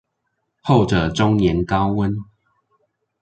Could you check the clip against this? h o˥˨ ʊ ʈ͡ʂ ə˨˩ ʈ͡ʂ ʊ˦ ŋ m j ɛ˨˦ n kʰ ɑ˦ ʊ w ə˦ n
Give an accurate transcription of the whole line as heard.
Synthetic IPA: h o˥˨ ʊ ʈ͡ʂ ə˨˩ ʈ͡ʂ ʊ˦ ŋ n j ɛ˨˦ n k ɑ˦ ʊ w ə˦ n

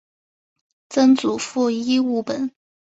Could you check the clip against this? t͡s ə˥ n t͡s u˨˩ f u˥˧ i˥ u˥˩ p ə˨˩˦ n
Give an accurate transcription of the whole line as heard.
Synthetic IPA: t͡s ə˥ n t͡s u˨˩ f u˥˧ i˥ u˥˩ p ə˨˩˦ n

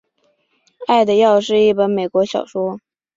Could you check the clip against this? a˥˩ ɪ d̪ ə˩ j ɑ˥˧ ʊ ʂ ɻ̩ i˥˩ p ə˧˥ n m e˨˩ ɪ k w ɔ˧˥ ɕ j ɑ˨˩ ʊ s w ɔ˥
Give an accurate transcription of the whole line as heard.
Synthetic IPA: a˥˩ ɪ d̪ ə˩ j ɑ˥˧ ʊ ʂ ɻ̩ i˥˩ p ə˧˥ n m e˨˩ ɪ k w ɔ˧˥ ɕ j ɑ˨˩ ʊ ʂ w ɔ˥

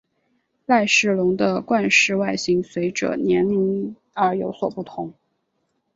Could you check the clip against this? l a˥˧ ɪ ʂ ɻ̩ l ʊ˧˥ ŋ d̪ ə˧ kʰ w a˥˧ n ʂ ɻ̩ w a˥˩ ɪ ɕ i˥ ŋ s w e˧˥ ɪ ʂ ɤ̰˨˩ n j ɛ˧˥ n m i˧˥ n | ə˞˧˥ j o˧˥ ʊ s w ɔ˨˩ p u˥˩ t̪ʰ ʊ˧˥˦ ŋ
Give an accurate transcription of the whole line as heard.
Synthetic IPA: l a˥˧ ɪ ʂ ɻ̩ l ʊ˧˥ ŋ d̪ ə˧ k w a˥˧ n ʂ ɻ̩ w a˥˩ ɪ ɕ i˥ ŋ s w e˧˥ ɪ ʈ͡ʂ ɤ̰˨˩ n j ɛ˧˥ n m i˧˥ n | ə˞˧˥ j o˧˥ ʊ s w ɔ˨˩ p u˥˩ t̪ʰ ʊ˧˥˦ ŋ

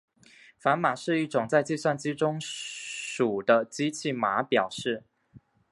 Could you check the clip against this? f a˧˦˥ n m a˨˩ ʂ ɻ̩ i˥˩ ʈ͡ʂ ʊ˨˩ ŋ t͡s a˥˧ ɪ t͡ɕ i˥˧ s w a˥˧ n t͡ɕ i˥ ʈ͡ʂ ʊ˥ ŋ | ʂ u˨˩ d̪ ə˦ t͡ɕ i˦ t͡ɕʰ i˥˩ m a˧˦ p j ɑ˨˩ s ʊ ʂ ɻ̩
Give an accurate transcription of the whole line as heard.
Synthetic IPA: f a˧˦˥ n m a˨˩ ʂ ɻ̩ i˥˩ ʈ͡ʂ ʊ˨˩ ŋ t͡s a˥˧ ɪ t͡ɕ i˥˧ s w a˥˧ n t͡ɕ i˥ ʈ͡ʂ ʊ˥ ŋ | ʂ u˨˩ d̪ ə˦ t͡ɕ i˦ t͡ɕʰ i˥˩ m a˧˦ p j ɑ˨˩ ʊ ʂ ɻ̩

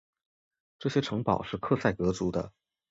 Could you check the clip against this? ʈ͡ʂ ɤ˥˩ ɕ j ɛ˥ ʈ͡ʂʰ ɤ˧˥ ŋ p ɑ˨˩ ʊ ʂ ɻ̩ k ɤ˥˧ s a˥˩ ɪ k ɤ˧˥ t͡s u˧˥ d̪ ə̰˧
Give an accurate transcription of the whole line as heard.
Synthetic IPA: ʈ͡ʂ ɤ˥˩ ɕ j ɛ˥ ʈ͡ʂʰ ɤ˧˥ ŋ p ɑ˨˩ ʊ ʂ ɻ̩ kʰ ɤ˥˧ s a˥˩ ɪ k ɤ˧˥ t͡s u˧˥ d̪ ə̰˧

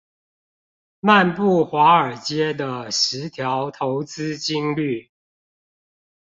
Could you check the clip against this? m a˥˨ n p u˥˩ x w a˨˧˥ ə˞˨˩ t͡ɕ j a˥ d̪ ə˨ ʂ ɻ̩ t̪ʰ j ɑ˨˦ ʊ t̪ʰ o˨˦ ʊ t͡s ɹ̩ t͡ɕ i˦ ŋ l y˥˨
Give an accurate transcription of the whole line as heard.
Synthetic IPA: m a˥˨ n p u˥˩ x w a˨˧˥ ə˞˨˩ t͡ɕ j ɛ˥ d̪ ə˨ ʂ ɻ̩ t̪ʰ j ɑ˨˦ ʊ t̪ʰ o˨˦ ʊ t͡s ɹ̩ t͡ɕ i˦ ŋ l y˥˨

